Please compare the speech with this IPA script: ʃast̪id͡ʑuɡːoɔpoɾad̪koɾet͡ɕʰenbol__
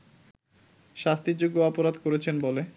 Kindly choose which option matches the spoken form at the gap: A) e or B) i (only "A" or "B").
A